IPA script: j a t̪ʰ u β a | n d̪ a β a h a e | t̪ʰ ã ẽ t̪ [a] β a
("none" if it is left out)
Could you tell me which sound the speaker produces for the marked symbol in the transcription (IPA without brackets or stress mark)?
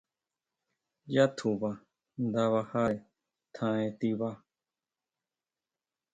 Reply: i